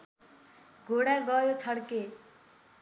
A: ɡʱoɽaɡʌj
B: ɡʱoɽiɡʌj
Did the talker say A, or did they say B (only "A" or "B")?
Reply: A